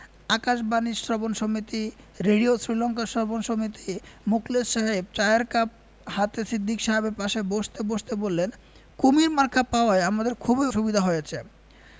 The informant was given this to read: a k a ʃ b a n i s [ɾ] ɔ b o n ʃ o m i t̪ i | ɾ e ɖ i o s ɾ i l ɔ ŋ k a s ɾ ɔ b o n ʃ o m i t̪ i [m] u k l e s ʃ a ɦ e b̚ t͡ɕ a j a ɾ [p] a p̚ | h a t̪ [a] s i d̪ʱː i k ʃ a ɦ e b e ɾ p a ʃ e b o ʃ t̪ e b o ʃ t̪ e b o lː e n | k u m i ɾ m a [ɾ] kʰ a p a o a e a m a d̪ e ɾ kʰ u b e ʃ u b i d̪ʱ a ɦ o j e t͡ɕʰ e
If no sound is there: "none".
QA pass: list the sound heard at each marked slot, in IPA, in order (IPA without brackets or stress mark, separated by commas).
ɾ, m, k, e, ɾ